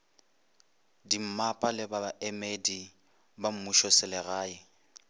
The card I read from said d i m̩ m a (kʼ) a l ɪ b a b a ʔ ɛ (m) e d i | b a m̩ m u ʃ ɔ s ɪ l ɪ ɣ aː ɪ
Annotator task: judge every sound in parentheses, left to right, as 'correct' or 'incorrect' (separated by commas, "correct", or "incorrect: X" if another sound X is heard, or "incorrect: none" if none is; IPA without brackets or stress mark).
incorrect: pʼ, correct